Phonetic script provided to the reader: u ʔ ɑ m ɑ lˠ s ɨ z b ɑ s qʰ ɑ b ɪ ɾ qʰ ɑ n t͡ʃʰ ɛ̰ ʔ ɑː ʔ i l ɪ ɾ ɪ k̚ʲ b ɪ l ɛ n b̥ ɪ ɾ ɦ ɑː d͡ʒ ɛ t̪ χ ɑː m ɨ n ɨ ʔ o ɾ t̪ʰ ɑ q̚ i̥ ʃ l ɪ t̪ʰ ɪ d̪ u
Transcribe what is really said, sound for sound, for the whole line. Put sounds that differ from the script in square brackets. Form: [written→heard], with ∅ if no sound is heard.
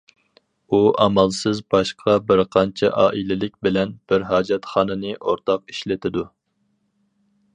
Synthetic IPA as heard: u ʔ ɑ m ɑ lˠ s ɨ z b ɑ [s→ʃ] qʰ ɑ b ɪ ɾ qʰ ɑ n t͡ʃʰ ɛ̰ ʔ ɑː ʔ i l ɪ [ɾ→l] ɪ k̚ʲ b ɪ l ɛ n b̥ ɪ ɾ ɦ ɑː d͡ʒ ɛ t̪ χ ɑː [m→n] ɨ n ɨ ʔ o ɾ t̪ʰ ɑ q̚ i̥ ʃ l ɪ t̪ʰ ɪ d̪ u